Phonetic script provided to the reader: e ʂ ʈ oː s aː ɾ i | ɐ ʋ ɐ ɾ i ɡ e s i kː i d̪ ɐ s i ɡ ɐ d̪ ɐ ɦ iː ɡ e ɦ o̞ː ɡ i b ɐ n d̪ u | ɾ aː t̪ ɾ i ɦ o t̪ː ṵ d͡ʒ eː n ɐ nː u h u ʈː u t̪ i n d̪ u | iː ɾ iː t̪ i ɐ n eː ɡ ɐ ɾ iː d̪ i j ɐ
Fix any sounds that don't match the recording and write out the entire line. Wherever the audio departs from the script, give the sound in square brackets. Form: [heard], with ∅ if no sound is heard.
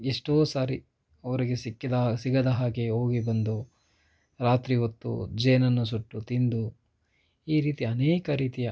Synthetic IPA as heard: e ʂ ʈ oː s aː ɾ i | ɐ ʋ ɐ ɾ i ɡ e s i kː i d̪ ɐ s i ɡ ɐ d̪ ɐ ɦ [aː] ɡ e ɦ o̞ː ɡ i b ɐ n d̪ u | ɾ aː t̪ ɾ i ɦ o t̪ː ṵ d͡ʒ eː n ɐ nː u [s] u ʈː u t̪ i n d̪ u | iː ɾ iː t̪ i ɐ n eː [k] ɐ ɾ iː [t̪] i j ɐ